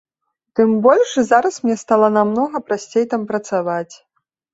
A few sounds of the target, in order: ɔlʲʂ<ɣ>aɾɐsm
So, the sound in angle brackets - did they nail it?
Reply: no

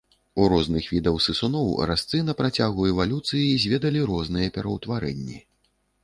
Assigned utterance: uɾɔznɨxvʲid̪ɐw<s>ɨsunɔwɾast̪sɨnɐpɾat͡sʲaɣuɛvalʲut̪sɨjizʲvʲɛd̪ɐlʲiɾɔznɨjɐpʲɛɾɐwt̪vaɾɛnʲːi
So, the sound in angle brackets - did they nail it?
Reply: yes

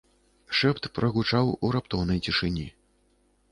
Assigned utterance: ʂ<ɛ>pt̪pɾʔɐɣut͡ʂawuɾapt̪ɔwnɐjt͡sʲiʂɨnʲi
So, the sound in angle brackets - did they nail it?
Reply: yes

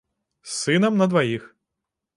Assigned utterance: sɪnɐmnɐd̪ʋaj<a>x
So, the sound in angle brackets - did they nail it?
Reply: no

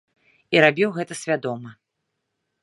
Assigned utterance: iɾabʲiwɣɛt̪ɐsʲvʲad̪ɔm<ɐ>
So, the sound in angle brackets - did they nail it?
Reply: yes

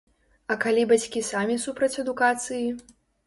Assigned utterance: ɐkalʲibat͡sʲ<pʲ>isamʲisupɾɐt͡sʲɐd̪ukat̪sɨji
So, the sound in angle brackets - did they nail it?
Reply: no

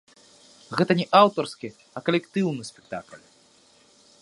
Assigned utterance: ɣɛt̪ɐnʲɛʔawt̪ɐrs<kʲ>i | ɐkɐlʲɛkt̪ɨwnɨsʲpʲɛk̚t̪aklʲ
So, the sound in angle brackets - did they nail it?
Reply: yes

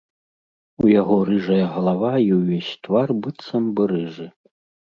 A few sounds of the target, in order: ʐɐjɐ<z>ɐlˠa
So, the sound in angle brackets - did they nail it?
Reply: no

